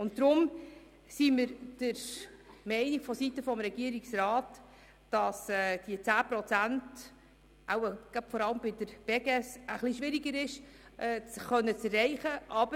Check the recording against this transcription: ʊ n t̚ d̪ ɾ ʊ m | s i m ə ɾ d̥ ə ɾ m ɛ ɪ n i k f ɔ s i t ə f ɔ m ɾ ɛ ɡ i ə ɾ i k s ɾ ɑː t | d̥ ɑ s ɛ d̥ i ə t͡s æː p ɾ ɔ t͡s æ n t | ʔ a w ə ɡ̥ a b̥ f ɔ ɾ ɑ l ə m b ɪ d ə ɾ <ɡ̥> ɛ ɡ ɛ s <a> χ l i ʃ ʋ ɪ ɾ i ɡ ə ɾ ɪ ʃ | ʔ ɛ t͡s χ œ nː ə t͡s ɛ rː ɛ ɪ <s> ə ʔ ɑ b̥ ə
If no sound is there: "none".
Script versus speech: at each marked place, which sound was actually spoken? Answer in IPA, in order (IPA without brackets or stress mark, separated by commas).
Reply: b̥, ə, χ